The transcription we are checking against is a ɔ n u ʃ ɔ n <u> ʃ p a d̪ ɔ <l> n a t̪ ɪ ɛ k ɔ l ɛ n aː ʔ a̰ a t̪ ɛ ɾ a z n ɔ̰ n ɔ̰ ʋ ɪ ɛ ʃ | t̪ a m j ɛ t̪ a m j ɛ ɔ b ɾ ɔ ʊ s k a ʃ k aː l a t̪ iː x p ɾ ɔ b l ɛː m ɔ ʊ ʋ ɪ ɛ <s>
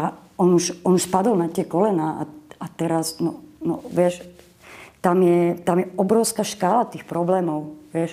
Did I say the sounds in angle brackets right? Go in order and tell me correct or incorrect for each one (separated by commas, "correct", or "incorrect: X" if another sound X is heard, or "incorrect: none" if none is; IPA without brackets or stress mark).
correct, correct, incorrect: ʃ